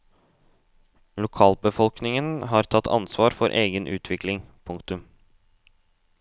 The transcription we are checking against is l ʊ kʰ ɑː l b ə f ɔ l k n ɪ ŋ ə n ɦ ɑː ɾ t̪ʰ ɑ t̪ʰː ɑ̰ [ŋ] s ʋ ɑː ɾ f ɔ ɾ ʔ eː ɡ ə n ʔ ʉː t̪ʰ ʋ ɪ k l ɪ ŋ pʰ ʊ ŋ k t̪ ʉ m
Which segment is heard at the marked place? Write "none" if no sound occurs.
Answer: n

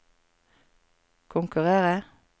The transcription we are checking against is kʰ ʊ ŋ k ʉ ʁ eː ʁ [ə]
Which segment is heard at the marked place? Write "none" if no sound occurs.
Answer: ə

